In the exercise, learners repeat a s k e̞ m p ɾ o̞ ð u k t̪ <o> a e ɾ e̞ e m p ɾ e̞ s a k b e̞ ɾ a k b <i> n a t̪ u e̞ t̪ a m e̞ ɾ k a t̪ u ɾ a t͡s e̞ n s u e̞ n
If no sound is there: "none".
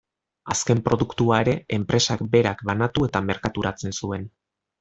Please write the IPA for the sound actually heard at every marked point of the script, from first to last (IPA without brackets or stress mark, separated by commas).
u, a